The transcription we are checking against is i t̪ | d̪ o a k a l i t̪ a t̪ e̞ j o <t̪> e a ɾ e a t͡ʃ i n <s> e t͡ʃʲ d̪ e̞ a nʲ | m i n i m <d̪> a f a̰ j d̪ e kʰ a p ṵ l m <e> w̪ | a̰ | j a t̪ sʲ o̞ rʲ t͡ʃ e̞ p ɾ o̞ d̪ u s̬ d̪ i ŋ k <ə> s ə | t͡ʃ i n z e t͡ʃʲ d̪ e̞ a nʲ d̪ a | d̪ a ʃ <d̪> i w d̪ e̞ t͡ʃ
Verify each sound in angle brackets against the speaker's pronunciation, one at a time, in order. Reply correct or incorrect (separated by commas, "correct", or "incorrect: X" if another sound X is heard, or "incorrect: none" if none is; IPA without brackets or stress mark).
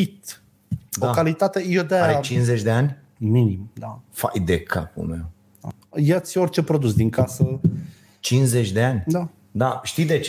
incorrect: d̪, incorrect: z, correct, correct, incorrect: a, incorrect: t̪